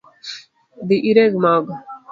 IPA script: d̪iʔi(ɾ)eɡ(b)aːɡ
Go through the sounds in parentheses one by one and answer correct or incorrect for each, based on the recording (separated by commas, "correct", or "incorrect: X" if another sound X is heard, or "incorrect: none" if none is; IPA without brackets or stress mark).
correct, incorrect: m